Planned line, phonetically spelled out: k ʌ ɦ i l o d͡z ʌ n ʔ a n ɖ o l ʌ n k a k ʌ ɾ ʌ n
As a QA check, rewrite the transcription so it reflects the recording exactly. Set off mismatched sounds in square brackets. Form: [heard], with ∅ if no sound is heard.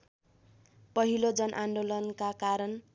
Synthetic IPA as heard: [p] ʌ ɦ i l o d͡z ʌ n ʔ a n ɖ o l ʌ n k a k [a] ɾ ʌ n

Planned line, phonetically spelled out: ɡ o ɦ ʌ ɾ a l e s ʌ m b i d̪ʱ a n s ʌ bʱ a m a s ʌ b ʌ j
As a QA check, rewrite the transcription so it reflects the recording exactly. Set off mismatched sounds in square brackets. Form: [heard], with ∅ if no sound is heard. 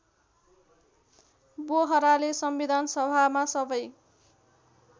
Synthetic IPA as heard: [b] o ɦ ʌ ɾ a l e s ʌ m b i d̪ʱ a n s ʌ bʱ a m a s ʌ b ʌ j

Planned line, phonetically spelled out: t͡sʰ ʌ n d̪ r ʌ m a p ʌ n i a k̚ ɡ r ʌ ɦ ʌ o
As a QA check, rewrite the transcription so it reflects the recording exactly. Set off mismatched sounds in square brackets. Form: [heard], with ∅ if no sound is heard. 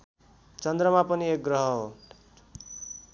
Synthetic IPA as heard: [t͡s] ʌ n d̪ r ʌ m a p ʌ n i [e] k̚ ɡ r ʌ ɦ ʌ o

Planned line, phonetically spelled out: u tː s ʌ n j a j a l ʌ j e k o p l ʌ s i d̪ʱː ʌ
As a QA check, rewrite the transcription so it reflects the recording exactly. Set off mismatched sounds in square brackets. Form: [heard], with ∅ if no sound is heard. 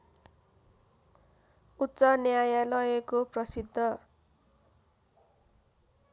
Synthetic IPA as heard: u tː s ʌ n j a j a l ʌ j e k o p [r] ʌ s i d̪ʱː ʌ

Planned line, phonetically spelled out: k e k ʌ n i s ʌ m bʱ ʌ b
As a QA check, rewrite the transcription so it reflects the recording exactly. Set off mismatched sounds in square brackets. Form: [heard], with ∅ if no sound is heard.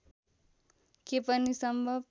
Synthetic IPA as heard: k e [p] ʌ n i s ʌ m bʱ ʌ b

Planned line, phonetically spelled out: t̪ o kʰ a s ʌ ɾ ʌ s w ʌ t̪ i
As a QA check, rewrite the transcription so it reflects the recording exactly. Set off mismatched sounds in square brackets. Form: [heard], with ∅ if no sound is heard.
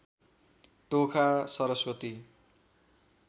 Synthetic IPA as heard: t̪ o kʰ a s ʌ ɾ ʌ s w ʌ t̪ i

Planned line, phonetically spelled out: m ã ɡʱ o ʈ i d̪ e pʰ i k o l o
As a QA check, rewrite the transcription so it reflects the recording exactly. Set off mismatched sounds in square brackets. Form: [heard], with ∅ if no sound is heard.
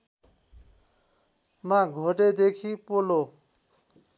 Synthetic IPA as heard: m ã ɡʱ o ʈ [e] d̪ e [kʰ] i [p] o l o

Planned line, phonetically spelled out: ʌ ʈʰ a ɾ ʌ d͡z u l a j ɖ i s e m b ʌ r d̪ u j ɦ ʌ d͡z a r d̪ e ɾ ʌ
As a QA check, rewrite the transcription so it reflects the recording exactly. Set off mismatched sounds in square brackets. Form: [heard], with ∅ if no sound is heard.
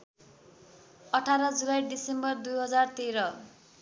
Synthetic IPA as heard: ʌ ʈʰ a ɾ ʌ d͡z u l a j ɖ i s e m b ʌ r d̪ u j ɦ ʌ d͡z a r [t̪] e ɾ ʌ

